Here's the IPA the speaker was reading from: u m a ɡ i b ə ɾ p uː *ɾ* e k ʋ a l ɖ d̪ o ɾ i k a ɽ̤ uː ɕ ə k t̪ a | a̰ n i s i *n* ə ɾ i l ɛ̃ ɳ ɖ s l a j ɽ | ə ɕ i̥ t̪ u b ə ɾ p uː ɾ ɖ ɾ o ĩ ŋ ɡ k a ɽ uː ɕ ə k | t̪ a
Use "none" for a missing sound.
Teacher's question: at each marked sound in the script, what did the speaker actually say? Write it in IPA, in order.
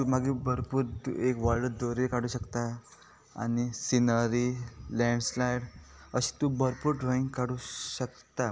ɾ, n

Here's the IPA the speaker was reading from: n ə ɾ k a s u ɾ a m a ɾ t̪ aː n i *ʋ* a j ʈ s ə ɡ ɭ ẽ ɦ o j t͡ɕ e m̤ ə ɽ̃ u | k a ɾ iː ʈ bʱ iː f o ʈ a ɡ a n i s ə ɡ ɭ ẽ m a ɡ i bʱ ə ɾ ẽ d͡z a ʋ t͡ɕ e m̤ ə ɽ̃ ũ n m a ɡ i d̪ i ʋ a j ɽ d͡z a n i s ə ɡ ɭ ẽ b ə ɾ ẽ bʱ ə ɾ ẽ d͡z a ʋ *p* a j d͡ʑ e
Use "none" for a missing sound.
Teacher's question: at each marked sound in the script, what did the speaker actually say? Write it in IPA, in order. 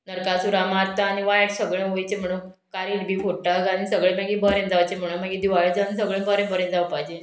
ʋ, p

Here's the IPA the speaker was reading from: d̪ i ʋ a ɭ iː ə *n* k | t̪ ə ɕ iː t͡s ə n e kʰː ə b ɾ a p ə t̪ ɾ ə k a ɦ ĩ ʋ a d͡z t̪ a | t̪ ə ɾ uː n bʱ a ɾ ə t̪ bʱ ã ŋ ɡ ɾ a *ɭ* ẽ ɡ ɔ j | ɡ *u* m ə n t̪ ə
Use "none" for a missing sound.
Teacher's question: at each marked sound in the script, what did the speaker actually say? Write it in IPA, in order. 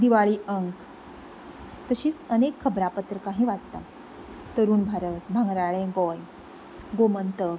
ŋ, ɭ, o

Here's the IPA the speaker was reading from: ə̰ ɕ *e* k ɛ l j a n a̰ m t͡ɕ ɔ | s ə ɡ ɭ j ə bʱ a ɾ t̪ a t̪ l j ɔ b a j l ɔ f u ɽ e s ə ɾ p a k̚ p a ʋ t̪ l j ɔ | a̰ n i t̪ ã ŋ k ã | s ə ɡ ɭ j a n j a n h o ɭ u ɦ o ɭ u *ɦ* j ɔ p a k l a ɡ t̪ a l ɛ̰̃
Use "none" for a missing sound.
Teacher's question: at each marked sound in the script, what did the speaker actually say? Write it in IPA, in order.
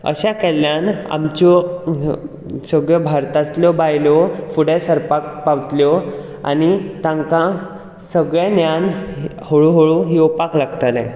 a, ɦ

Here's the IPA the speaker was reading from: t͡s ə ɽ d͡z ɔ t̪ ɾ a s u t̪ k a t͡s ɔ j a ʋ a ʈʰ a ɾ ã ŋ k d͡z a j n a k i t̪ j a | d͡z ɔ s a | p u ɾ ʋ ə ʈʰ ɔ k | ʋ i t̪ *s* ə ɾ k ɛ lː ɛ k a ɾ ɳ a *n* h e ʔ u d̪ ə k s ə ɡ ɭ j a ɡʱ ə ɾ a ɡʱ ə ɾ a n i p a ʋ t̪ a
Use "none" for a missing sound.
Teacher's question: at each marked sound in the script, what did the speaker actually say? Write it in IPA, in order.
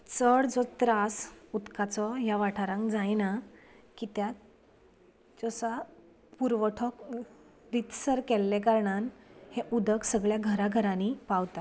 s, n

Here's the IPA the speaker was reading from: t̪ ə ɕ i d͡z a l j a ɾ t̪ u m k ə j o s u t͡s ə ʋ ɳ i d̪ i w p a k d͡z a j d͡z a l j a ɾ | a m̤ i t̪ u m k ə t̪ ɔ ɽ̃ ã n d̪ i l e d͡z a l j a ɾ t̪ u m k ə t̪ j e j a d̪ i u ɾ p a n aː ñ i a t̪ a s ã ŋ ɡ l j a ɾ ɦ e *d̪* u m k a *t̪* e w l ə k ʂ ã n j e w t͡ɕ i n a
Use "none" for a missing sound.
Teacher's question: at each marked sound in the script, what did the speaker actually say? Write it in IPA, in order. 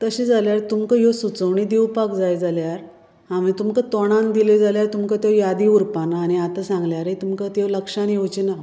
t̪, t̪

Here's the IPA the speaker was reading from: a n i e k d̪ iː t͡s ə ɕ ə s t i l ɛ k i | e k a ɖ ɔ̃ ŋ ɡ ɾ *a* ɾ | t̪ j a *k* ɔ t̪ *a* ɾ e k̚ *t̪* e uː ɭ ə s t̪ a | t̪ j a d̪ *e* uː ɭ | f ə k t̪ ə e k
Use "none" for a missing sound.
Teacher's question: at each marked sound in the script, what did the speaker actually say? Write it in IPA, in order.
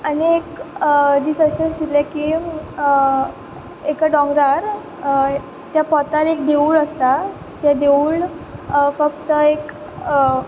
a, p, a, d̪, e

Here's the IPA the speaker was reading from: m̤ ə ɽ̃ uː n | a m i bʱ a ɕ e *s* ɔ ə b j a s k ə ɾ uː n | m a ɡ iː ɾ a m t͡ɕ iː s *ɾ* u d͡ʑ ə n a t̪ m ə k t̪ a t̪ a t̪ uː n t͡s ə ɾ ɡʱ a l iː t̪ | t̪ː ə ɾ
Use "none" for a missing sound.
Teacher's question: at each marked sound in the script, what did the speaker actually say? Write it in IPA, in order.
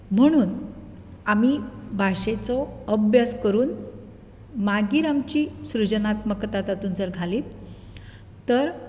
t͡s, ɾ

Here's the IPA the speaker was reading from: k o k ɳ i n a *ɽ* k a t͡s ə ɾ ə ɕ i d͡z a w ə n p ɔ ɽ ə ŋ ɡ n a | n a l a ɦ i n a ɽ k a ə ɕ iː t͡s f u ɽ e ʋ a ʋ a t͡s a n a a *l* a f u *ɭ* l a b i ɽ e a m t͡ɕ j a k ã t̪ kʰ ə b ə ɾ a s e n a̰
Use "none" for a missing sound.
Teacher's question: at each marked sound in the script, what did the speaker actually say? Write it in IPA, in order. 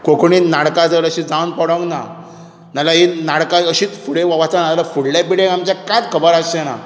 ɽ, l, ɽ

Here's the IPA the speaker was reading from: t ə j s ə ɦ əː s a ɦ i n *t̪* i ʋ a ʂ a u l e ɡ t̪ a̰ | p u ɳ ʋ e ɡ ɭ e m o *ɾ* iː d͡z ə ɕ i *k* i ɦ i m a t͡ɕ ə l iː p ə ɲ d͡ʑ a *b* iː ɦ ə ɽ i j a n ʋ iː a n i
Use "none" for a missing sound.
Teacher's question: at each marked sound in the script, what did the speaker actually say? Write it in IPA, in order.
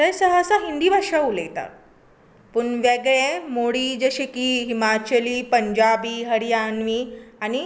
d̪, ɽ, k, b

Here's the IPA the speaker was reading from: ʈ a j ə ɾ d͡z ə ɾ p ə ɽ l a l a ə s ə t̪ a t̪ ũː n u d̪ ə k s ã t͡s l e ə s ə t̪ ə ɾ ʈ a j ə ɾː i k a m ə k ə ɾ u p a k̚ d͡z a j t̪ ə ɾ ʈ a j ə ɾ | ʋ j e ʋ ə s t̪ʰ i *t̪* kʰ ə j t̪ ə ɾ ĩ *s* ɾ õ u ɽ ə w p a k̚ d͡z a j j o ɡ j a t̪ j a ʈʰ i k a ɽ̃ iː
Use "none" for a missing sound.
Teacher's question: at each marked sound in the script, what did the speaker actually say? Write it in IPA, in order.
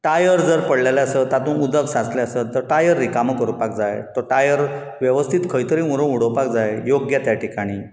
t̪, none

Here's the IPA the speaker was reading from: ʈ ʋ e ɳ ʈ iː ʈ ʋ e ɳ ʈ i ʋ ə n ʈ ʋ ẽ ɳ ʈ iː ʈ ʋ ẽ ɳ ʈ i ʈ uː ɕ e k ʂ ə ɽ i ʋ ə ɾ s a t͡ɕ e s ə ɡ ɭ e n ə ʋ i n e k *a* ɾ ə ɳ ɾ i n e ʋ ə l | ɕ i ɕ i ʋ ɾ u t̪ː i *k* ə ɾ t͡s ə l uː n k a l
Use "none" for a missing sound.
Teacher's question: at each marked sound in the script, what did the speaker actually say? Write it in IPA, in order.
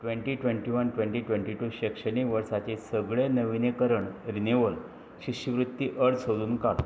ə, ʔ

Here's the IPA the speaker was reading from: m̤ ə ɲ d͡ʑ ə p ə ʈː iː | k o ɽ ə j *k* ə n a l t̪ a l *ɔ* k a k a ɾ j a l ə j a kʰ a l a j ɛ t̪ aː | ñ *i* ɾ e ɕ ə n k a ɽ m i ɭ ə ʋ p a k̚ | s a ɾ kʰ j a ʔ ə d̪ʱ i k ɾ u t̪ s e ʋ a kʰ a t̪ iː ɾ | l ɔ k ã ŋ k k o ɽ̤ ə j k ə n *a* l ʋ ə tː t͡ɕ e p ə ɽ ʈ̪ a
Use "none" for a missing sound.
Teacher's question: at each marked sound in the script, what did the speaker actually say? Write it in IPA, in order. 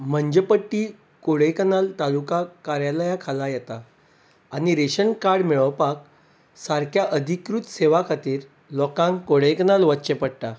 k, u, i, a

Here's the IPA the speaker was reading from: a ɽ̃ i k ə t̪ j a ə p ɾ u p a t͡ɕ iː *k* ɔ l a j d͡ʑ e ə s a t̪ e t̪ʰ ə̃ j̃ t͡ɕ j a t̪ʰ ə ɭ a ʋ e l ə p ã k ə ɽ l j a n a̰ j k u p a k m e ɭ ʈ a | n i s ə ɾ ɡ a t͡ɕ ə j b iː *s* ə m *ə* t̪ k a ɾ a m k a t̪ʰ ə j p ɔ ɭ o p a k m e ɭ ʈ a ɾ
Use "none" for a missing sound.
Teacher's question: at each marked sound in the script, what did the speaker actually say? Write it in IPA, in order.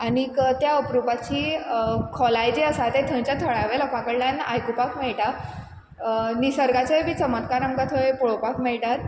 kʰ, t͡s, ə

